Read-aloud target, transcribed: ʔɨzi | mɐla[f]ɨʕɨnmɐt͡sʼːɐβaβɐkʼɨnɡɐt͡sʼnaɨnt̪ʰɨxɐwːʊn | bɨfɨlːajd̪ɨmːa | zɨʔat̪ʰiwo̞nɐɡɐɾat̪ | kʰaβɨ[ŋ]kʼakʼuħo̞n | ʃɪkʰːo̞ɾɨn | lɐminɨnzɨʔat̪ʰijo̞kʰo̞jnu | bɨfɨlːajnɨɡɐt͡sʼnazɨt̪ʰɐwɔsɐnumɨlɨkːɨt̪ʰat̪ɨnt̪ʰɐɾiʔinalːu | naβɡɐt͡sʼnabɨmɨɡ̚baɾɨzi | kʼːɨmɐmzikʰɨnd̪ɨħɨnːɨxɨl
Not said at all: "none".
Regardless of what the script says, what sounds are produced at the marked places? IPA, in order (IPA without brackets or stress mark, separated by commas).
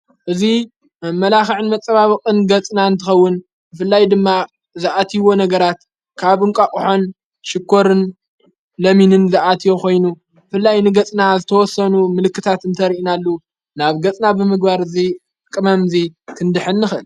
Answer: x, ŋ